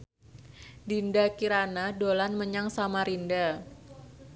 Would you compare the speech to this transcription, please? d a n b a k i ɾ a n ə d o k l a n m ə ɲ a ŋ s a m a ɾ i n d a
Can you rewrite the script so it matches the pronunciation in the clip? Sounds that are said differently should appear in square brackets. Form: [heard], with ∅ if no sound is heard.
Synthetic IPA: d [i] n [d] a k i ɾ a n [a] d o [∅] l a n m ə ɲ a ŋ s a m a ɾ i n d a